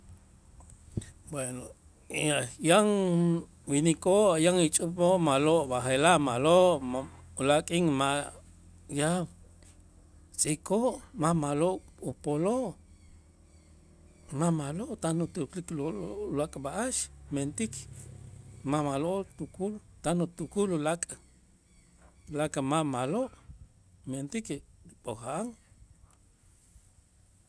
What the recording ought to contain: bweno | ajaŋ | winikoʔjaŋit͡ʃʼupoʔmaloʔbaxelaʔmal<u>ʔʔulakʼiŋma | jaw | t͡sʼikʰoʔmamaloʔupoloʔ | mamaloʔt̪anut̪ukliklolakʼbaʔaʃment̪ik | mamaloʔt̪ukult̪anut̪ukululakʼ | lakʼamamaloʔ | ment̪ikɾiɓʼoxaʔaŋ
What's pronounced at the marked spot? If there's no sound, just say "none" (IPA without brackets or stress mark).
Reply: o